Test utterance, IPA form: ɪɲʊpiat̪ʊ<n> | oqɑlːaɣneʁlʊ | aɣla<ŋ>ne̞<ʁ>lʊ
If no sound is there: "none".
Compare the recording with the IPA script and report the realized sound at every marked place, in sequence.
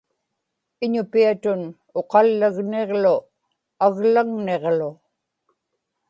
n, ŋ, ʁ

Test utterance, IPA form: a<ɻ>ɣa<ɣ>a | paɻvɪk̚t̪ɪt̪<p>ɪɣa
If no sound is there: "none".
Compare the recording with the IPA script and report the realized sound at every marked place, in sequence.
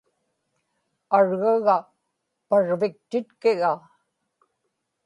ɻ, ɣ, k

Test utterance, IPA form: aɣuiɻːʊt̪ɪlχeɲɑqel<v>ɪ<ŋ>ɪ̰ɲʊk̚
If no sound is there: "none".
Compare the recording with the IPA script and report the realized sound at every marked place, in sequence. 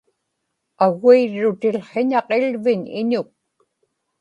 v, ɲ

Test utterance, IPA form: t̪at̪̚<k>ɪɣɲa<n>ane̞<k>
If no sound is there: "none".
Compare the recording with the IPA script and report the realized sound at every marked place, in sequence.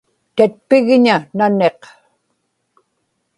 p, n, q

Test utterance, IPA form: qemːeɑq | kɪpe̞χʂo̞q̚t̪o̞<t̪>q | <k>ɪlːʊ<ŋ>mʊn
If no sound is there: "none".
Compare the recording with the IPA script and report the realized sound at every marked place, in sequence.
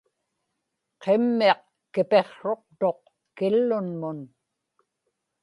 none, k, n

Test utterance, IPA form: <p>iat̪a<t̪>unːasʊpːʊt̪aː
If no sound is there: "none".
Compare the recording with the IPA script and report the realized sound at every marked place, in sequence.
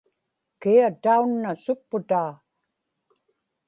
k, none

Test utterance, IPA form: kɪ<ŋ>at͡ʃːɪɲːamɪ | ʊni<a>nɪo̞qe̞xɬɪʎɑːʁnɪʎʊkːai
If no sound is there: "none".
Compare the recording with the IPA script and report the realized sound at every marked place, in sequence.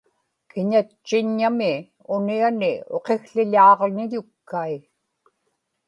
ɲ, a

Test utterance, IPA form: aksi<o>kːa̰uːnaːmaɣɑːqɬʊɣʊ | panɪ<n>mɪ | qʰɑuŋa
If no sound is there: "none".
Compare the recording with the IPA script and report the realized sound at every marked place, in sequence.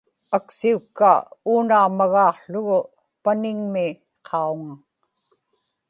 u, ŋ

